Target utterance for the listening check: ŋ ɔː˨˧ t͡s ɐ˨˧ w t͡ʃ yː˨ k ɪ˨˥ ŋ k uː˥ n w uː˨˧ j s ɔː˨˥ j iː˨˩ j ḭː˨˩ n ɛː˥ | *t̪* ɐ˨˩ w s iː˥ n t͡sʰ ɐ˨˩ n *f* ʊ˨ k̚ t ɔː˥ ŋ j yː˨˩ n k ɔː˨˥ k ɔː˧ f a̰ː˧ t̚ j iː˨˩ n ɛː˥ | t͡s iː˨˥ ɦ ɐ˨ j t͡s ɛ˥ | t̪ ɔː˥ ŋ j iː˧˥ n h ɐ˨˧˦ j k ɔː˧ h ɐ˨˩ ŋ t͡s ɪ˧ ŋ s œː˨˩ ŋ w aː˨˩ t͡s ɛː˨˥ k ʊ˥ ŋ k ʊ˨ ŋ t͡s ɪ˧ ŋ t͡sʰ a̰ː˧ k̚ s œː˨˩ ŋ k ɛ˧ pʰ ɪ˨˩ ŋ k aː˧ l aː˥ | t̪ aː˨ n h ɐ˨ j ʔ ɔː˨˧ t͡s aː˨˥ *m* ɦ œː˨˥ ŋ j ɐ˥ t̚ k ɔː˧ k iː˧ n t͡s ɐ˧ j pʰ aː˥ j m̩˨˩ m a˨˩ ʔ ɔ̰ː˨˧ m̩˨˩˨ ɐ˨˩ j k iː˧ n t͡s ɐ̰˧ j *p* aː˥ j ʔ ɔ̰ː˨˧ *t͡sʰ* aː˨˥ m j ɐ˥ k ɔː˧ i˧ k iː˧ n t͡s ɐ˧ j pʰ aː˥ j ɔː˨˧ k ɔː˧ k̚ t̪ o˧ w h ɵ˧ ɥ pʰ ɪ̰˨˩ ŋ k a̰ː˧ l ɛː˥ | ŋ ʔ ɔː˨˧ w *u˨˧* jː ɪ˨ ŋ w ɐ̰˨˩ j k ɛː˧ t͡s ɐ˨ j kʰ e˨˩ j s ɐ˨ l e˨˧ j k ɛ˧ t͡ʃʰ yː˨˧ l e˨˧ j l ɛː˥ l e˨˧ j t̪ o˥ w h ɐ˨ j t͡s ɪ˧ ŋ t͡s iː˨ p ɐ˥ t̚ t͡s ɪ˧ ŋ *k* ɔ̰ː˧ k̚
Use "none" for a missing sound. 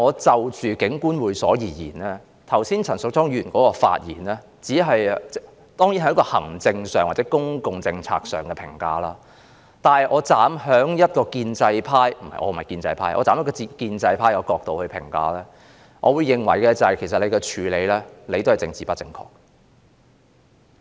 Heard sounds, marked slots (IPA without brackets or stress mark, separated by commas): t̪ʰ, s, m, pʰ, t͡s, u˨˧, kʰ